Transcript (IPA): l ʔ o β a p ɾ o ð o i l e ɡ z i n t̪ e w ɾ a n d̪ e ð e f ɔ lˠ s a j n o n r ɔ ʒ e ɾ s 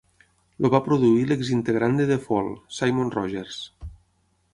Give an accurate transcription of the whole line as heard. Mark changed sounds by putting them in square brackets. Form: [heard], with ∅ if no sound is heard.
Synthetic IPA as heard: l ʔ o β a p ɾ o ð [u] i l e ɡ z i n t̪ e [ɣ] ɾ a n d̪ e ð e f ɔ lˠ s a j [m] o n r ɔ ʒ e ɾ s

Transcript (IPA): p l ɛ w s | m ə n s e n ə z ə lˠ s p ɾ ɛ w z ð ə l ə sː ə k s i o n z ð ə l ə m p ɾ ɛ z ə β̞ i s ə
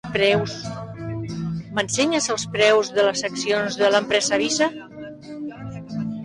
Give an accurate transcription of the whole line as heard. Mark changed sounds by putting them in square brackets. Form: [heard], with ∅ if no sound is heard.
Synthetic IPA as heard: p [ɾ] ɛ w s | m ə n s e [ɲ] ə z ə lˠ s p ɾ ɛ w z ð ə l ə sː ə k s i o n z ð ə l ə m p ɾ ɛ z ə β̞ i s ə

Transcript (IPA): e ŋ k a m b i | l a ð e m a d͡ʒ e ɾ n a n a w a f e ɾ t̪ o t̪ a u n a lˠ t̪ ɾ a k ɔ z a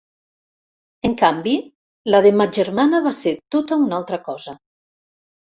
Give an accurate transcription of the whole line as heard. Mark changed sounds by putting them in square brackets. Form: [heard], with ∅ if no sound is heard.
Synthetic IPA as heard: e ŋ k a m b i | l a ð e m a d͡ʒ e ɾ [m] a n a [β] a [s] e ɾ t̪ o t̪ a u n a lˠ t̪ ɾ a k ɔ z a

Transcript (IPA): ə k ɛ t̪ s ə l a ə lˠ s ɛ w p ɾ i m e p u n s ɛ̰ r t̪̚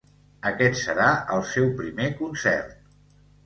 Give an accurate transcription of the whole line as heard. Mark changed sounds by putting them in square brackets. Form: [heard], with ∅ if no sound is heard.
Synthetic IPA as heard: ə k ɛ t̪ s ə [ɾ] a ə lˠ s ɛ w p ɾ i m e [k] u n s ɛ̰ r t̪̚

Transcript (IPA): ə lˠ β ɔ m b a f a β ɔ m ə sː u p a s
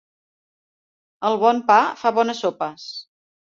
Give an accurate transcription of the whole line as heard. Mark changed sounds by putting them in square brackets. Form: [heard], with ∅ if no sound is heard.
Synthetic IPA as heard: ə lˠ β ɔ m [p] a f a β ɔ [n] ə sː [o] p [ə] s

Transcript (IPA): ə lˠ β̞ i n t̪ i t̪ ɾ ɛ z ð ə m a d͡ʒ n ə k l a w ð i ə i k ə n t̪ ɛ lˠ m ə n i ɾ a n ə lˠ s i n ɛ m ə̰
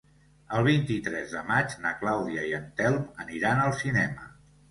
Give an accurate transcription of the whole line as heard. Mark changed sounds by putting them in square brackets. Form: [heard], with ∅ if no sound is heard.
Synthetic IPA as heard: ə lˠ β̞ i n t̪ i t̪ ɾ ɛ z ð ə m a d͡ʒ n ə k l a w ð i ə i [∅] ə n t̪ ɛ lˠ m ə n i ɾ a n ə lˠ s i n ɛ m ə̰

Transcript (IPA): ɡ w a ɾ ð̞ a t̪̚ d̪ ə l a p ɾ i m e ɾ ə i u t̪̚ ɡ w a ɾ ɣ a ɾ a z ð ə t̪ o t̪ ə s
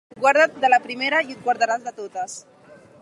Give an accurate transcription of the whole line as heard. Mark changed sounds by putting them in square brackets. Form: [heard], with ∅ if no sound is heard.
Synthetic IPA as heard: ɡ w a ɾ ð̞ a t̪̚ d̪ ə l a p ɾ i m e ɾ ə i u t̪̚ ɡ w a ɾ [ð] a ɾ a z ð ə t̪ o t̪ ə s

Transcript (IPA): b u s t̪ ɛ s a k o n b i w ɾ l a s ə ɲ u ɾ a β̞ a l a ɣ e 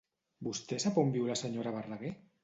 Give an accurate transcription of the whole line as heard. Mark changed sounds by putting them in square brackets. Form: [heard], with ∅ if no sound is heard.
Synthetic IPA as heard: b u s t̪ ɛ s a [p] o [m] b i w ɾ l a s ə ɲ [o] ɾ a β̞ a [r] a ɣ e

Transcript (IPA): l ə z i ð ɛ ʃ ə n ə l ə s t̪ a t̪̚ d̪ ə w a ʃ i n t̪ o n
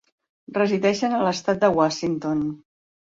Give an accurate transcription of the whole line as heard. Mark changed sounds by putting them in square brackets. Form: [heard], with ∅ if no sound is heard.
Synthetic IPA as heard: [r] ə z i ð ɛ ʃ ə n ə l ə s t̪ a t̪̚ d̪ ə w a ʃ i n t̪ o n

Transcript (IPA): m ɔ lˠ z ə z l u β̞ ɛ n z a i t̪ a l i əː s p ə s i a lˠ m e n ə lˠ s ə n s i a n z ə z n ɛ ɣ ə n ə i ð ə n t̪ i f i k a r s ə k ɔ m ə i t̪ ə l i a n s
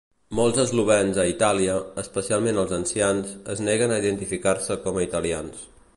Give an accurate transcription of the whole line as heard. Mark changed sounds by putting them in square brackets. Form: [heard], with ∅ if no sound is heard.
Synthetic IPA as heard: m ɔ lˠ z ə z l u β̞ ɛ n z [ə] i t̪ a l i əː s p ə s i a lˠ m e n ə lˠ [z] ə n s i a n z ə z n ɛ ɣ ə n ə i ð ə n t̪ i f i k a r s ə k ɔ m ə i t̪ ə l i a n s

